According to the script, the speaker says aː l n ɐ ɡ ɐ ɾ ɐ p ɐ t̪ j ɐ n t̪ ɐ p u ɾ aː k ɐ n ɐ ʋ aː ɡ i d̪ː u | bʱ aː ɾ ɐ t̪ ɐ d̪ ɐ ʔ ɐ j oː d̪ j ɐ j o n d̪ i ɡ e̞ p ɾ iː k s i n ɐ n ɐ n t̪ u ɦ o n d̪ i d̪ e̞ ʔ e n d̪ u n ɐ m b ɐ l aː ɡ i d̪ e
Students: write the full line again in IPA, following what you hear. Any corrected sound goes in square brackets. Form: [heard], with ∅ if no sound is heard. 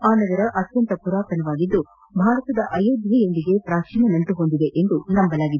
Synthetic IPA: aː [∅] n ɐ ɡ ɐ ɾ ɐ [ʔ] ɐ t̪ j ɐ n t̪ ɐ p u ɾ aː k ɐ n ɐ ʋ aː ɡ i d̪ː u | bʱ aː ɾ ɐ t̪ ɐ d̪ ɐ ʔ ɐ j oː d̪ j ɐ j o n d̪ i ɡ e̞ p ɾ [aː] k [ʂ] i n ɐ n ɐ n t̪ u ɦ o n d̪ i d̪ e̞ ʔ e n d̪ u n ɐ m b ɐ l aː ɡ i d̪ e